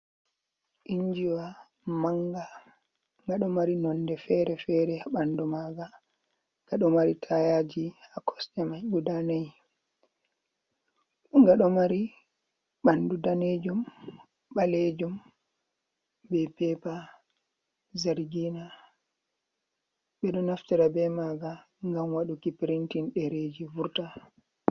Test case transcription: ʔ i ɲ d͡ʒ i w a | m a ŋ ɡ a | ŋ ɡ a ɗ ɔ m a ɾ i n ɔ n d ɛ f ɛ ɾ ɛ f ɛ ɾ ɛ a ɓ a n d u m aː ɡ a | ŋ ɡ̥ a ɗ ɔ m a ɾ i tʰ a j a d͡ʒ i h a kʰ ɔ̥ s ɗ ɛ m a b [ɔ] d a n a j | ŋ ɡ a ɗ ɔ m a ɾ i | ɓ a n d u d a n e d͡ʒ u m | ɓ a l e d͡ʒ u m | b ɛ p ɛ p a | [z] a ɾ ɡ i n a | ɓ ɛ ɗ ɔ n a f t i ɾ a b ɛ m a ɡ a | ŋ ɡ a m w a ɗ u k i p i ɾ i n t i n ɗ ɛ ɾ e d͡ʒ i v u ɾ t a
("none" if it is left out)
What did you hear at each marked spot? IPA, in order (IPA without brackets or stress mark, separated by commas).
u, z